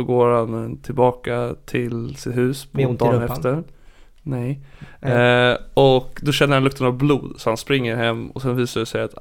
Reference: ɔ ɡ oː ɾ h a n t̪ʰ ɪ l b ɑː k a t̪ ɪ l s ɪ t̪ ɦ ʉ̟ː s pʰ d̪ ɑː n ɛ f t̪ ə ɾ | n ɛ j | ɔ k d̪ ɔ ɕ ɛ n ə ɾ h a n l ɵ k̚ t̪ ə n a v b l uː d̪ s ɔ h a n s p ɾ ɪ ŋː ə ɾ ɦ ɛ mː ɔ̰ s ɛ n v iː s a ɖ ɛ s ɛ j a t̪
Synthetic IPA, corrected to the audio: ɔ ɡ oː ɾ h a n t̪ʰ ɪ l b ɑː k a t̪ʰ ɪ l s ɪ t̪ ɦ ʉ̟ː s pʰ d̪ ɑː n ɛ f t̪ ə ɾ | n ɛ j | ɔ k d̪ ɔ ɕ ɛ n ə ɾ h a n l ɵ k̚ t̪ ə n a v b l uː d̪ s ɔ h a n s p ɾ ɪ ŋː ə ɾ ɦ ɛ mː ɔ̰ s ɛ n v iː s a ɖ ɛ s ɛ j a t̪